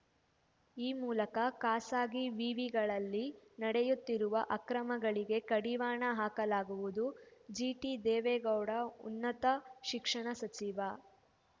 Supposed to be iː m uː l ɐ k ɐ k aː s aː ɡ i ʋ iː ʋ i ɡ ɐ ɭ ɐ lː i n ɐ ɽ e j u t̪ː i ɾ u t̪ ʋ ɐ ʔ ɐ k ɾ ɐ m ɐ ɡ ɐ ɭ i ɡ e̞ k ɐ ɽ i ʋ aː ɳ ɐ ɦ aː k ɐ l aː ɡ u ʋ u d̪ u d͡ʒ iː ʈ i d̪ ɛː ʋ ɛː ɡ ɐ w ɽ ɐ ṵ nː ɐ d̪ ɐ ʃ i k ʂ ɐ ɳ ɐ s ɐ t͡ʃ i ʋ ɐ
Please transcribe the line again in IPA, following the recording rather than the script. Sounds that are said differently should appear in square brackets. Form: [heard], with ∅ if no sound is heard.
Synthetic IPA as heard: iː m uː l ɐ k ɐ k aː s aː ɡ i ʋ iː ʋ i ɡ ɐ ɭ ɐ lː i n ɐ ɽ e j u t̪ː i ɾ u [∅] ʋ ɐ ʔ ɐ k ɾ ɐ m ɐ ɡ ɐ ɭ i ɡ e̞ k ɐ ɽ i ʋ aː ɳ ɐ ɦ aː k ɐ l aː ɡ u ʋ u d̪ u d͡ʒ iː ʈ i d̪ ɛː ʋ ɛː ɡ ɐ w ɽ ɐ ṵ nː ɐ [t̪] ɐ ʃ i k ʂ ɐ ɳ ɐ s ɐ t͡ʃ i ʋ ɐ